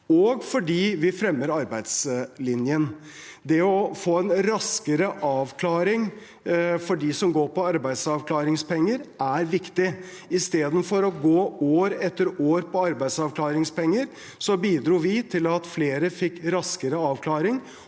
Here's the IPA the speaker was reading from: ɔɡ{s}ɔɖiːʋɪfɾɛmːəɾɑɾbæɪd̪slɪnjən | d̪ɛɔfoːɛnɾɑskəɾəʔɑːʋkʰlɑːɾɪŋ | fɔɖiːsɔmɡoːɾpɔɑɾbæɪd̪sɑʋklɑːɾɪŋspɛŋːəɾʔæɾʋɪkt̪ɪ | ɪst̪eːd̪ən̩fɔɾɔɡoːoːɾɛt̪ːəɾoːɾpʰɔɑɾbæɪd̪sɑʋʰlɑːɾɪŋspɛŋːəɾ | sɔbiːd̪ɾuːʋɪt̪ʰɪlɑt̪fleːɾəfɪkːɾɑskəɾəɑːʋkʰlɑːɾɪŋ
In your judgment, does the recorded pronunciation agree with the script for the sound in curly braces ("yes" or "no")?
no